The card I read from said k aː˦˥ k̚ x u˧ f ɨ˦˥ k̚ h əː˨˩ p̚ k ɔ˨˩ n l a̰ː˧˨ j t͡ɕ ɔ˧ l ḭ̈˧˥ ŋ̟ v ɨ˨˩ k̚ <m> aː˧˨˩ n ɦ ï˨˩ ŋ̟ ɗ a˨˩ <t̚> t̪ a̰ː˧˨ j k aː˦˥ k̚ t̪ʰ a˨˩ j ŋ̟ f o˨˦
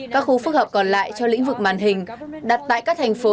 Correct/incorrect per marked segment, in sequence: correct, correct

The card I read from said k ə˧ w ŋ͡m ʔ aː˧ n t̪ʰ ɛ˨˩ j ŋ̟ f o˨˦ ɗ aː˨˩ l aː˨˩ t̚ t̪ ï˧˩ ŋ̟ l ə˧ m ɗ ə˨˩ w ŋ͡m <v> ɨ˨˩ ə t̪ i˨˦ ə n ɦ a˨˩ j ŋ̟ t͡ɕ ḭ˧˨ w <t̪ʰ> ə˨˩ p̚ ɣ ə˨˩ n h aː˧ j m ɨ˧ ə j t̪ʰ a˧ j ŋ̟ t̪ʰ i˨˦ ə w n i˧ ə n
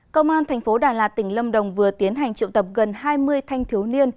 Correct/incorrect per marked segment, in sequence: correct, incorrect: t̪

